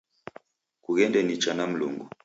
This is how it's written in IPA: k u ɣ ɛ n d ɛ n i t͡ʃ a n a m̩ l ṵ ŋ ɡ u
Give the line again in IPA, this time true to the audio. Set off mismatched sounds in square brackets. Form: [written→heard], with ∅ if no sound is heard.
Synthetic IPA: k u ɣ ɛ n d ɛ n i t͡ʃ a n a m̩ l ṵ ŋ ɡ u